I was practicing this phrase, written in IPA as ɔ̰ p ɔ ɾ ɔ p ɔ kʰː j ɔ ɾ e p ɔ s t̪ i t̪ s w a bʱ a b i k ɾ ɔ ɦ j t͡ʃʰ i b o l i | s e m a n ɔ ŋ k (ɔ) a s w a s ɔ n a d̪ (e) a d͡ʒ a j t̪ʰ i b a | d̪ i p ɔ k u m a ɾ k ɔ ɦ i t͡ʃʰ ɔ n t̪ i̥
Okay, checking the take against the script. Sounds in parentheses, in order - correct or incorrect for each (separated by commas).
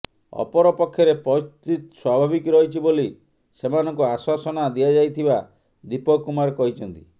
incorrect, incorrect